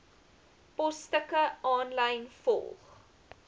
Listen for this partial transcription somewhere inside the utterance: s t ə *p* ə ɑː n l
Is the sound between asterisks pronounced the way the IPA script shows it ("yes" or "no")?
no